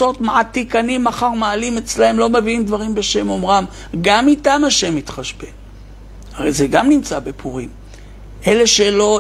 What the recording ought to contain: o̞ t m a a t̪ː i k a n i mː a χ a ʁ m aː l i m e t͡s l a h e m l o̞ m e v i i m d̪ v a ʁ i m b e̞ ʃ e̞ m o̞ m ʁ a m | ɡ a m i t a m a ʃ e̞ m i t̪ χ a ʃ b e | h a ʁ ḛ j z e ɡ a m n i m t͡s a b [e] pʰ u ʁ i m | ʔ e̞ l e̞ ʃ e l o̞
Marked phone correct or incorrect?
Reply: correct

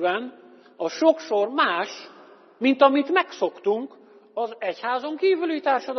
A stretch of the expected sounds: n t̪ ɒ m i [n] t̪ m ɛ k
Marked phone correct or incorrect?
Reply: incorrect: none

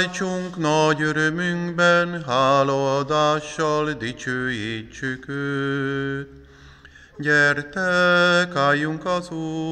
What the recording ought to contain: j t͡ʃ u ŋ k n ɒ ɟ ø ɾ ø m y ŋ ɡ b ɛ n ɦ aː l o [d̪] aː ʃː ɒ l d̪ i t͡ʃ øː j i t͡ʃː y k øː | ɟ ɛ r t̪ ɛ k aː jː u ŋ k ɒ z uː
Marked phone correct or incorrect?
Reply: correct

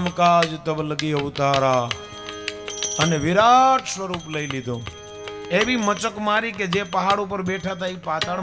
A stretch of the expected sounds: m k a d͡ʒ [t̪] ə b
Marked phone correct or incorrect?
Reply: correct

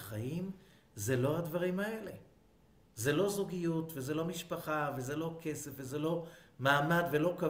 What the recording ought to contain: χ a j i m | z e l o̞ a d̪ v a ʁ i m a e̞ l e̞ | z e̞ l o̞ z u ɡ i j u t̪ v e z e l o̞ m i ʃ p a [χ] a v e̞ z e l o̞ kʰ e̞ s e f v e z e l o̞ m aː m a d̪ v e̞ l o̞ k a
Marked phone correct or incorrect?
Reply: correct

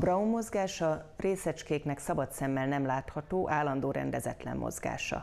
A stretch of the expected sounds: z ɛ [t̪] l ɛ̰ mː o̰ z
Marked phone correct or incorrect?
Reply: correct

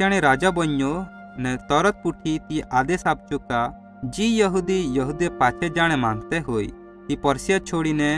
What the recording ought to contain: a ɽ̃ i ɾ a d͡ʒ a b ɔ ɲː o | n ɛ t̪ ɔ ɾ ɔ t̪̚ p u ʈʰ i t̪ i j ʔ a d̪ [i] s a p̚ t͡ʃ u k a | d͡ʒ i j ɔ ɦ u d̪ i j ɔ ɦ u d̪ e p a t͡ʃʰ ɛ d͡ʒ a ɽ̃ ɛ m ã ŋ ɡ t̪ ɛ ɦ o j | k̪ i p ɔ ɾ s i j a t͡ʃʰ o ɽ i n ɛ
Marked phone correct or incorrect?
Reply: incorrect: e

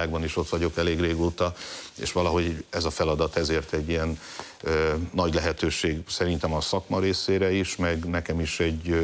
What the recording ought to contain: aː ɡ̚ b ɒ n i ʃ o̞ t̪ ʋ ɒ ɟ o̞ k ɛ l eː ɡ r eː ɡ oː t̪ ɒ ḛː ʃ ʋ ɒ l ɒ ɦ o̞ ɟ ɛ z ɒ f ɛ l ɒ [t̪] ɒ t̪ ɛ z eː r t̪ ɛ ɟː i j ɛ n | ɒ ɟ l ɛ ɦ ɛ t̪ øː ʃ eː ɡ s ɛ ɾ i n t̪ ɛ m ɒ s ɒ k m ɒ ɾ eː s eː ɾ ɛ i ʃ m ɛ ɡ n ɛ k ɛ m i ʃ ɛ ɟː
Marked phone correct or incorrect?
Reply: incorrect: d̪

